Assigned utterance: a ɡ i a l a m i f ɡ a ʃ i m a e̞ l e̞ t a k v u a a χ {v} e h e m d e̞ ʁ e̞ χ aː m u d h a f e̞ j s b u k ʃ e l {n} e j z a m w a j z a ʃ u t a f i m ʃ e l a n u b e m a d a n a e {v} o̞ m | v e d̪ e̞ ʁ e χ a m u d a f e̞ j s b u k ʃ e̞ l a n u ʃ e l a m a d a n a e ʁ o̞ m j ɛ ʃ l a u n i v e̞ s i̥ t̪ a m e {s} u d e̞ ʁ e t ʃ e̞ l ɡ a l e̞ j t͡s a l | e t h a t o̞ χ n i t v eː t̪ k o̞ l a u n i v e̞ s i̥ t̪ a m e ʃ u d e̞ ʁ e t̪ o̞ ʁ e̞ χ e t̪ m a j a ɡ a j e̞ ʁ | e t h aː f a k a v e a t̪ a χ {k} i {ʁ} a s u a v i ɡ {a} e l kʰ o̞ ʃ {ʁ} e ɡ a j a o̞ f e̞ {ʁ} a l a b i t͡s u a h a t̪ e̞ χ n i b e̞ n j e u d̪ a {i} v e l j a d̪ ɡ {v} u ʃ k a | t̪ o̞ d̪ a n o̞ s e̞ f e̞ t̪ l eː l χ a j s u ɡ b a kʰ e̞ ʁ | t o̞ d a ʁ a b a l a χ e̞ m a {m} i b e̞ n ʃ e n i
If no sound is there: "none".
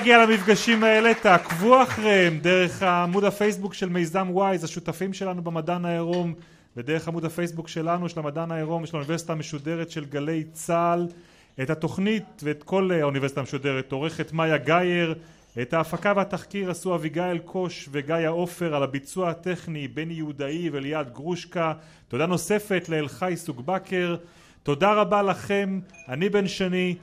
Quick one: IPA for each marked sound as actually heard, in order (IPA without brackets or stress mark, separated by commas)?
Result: ʁ, m, ʁ, ʃ, k, ʁ, a, v, ʁ, i, ʁ, n